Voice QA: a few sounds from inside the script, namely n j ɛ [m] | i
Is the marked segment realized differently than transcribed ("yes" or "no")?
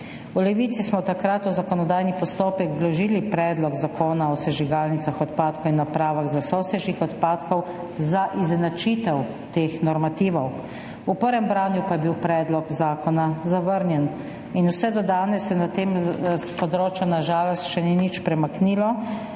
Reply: yes